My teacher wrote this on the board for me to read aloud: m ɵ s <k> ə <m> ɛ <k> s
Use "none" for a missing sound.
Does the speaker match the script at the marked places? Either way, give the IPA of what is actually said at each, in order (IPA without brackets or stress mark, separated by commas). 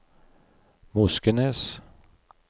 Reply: k, n, none